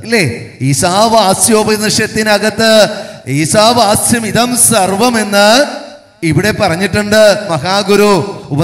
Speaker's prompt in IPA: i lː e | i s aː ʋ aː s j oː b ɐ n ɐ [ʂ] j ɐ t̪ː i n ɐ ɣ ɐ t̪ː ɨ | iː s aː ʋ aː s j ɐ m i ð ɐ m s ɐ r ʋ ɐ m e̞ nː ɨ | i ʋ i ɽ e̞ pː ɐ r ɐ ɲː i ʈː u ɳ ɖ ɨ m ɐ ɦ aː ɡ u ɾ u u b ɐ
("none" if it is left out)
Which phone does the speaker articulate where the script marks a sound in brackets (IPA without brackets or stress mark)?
ʂ